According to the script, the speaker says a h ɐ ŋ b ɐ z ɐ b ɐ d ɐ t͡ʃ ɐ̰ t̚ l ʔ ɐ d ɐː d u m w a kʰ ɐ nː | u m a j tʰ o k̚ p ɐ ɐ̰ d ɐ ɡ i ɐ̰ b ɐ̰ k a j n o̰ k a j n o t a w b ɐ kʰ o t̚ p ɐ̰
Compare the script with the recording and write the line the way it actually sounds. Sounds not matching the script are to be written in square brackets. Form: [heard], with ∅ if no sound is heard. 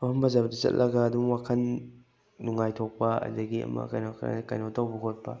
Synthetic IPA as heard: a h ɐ [m] b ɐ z [a] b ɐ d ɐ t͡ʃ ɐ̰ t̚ l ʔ ɐ [ɡ] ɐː d u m w a kʰ ɐ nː | u [ŋ] a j tʰ o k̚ p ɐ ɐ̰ d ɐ ɡ i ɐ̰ [m] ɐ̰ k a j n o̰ k a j n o t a w b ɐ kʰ o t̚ p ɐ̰